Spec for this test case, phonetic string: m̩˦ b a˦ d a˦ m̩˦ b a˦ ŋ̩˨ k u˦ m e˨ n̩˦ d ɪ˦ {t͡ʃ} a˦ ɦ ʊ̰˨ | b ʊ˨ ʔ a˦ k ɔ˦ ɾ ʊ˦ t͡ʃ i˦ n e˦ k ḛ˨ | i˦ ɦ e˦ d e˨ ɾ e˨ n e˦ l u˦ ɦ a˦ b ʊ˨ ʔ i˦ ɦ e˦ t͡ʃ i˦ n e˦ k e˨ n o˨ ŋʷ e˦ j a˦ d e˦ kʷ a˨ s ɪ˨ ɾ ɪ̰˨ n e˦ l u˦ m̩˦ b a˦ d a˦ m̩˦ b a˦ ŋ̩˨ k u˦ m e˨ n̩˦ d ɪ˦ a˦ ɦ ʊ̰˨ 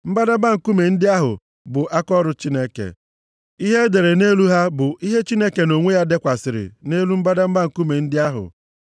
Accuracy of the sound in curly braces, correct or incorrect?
incorrect